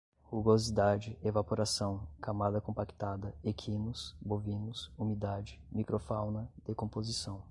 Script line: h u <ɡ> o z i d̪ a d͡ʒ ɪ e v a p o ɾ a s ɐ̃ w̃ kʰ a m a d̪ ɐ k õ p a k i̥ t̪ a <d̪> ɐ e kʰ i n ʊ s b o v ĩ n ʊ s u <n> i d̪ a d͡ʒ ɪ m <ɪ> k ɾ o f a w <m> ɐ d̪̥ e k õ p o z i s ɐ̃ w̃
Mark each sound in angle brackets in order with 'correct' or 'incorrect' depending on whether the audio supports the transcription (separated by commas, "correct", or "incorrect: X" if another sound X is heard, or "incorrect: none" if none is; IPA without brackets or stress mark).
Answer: correct, correct, incorrect: m, incorrect: i, incorrect: n